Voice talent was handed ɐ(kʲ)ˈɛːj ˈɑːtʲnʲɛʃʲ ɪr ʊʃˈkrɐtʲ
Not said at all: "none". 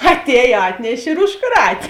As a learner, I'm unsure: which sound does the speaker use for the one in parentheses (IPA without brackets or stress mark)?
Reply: tʲ